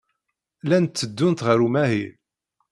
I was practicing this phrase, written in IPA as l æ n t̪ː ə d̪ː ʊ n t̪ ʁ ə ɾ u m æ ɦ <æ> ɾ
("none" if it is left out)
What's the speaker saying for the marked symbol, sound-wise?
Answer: i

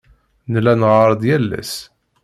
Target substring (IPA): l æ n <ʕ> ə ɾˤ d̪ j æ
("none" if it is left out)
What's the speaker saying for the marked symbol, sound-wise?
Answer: ʁ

